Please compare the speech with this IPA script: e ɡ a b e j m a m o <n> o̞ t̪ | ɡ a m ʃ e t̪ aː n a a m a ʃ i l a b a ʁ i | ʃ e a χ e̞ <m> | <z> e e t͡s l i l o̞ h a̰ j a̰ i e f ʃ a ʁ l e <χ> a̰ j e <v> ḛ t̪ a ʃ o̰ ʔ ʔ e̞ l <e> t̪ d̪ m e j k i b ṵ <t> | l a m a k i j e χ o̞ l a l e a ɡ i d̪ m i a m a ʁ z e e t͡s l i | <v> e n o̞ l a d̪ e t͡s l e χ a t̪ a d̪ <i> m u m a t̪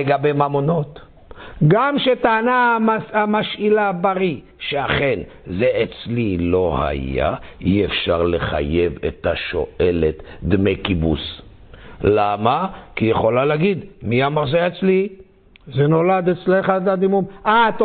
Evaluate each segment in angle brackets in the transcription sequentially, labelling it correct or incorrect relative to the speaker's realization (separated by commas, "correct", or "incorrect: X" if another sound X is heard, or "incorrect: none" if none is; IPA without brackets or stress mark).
correct, incorrect: n, correct, correct, correct, correct, incorrect: s, incorrect: z, correct